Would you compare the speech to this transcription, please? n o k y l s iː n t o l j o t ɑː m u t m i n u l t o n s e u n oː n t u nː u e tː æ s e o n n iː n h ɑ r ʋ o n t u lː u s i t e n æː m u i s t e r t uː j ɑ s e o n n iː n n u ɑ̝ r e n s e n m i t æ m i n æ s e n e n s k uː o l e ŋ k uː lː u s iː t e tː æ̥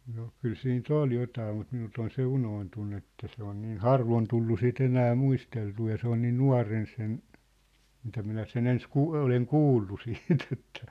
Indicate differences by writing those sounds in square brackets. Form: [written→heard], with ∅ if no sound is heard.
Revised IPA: n o k y l s iː n t o l j o t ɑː m u t m i n u l t o n s e u n oː n t u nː u e tː æ s e o n n iː n h ɑ r ʋ o n t u lː u s i t e n æː m u i s t e [r→l] t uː j ɑ s e o n n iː n n u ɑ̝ r e n s e n m i t æ m i n æ s e n e n s k uː o l e ŋ k uː lː u s iː t e tː æ̥

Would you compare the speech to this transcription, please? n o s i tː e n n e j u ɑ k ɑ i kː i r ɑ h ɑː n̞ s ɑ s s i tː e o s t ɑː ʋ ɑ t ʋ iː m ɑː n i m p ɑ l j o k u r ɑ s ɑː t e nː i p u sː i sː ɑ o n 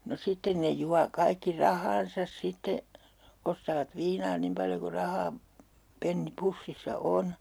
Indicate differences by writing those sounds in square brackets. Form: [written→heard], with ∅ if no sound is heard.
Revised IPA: n o s i tː e n n e j u ɑ k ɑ i kː i r ɑ h ɑː n̞ s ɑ s s i tː e o s t ɑː ʋ ɑ t ʋ iː [m→n] ɑː n i m p ɑ l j o k u r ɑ [s→h] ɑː [t→p] e nː i p u sː i sː ɑ o n

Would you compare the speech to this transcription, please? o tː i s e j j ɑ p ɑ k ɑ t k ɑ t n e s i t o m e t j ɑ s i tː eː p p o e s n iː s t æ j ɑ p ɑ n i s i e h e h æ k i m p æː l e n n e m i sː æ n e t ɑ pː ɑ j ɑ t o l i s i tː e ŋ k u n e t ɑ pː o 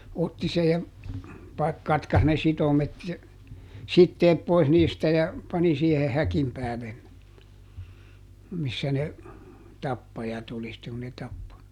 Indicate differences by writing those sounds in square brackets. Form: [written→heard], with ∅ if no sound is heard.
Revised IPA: o tː i s e j j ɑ p ɑ k ɑ t k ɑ [t→s] n e s i t o m e t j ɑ s i tː eː p p o [e→i] s n iː s t æ j ɑ p ɑ n i s i e h e h æ k i m p æː l e n n e m i sː æ n e t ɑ pː ɑ j ɑ t o l i s i tː e ŋ k u n e t ɑ pː o

